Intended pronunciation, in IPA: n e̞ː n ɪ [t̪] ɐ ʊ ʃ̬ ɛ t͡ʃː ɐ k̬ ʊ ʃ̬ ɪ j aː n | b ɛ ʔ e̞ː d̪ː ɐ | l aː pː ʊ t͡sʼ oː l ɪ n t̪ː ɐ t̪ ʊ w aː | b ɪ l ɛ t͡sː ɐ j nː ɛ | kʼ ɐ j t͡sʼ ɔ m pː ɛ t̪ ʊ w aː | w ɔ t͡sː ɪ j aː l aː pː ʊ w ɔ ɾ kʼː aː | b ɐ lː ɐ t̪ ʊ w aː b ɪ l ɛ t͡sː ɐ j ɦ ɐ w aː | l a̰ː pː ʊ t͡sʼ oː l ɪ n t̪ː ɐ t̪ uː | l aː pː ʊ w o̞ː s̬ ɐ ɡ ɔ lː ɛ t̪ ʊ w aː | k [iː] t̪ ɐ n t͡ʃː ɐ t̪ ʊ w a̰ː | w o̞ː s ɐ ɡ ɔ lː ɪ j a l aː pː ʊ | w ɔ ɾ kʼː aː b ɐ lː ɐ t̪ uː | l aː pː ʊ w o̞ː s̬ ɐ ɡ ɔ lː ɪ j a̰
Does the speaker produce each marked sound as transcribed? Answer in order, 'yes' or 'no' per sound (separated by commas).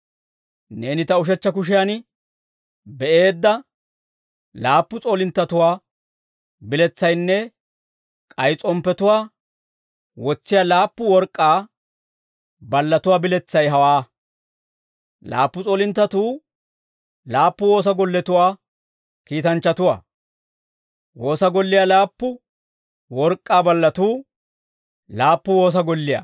yes, yes